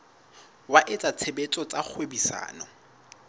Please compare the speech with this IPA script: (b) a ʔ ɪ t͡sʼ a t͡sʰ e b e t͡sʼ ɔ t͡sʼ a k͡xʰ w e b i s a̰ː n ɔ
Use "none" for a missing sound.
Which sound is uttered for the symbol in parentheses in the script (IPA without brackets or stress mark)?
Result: w